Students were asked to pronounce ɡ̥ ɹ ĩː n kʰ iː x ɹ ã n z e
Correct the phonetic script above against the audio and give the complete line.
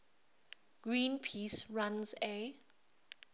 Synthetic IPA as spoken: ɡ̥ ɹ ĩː n pʰ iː s ɹ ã n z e

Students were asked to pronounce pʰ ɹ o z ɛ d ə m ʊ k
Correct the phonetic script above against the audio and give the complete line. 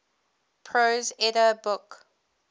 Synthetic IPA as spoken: pʰ ɹ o z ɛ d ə b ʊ k

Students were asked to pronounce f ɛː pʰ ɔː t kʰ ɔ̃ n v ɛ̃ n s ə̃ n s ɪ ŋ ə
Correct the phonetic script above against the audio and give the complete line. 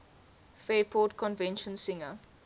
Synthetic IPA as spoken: f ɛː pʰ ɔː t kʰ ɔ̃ n v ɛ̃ n ʃ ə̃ n s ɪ ŋ ə

